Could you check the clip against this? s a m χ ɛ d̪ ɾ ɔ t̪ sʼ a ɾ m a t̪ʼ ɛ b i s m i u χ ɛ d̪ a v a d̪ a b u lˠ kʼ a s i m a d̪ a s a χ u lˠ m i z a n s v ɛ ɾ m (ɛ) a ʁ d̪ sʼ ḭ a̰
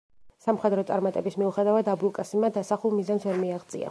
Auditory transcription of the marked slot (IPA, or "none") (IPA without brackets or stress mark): i